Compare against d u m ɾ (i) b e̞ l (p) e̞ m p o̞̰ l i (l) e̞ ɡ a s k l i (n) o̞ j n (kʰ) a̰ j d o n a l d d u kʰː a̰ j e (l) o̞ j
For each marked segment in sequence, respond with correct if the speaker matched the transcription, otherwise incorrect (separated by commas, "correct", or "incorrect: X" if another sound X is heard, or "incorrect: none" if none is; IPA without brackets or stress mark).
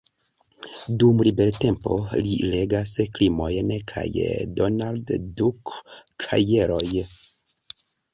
correct, incorrect: t, correct, incorrect: m, correct, incorrect: ɾ